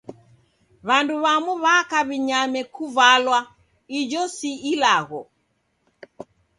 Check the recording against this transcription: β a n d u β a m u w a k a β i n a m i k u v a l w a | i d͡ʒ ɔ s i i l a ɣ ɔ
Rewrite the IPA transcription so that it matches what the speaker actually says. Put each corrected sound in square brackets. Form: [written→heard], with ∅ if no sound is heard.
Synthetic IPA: β a n d u β a m u [w→β] a k a β i [n→ɲ] a m [i→ɛ] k u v a l w a | i d͡ʒ ɔ s i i l a ɣ ɔ